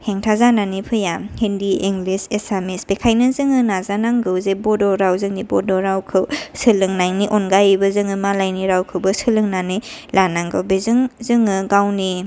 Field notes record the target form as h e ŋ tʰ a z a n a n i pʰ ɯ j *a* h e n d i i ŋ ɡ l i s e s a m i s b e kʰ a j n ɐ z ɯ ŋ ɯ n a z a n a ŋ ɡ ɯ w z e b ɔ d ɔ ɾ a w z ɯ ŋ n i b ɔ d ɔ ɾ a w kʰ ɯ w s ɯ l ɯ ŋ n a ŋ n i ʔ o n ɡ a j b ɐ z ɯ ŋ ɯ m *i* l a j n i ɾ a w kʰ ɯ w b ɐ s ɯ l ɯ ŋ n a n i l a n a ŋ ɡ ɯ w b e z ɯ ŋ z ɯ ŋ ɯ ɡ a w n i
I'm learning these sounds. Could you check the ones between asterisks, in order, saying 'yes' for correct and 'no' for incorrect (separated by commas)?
yes, no